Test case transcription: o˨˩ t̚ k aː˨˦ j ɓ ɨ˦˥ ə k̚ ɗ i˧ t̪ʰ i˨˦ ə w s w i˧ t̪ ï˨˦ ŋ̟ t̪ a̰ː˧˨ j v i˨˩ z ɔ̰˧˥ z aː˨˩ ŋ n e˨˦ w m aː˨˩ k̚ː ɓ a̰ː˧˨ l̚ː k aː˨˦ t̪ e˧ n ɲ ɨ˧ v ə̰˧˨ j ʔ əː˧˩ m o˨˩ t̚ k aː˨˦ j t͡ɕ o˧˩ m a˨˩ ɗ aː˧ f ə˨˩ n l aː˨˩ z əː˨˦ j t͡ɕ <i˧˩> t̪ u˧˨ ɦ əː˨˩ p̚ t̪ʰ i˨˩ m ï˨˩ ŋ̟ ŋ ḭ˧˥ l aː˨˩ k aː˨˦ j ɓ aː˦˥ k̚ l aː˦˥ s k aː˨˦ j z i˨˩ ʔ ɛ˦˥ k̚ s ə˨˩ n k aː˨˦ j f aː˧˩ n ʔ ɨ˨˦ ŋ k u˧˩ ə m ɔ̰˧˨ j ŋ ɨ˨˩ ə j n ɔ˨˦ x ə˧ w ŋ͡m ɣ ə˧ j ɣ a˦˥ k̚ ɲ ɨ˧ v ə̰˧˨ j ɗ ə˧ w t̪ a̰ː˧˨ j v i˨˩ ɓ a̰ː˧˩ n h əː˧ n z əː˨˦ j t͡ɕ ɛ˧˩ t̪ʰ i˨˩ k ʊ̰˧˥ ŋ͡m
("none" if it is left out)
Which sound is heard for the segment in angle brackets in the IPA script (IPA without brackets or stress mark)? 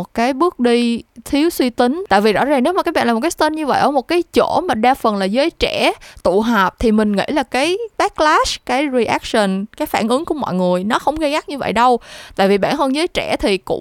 ɛ˧˩